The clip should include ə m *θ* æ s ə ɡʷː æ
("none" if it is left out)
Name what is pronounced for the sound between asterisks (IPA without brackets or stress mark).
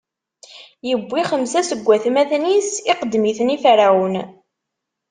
s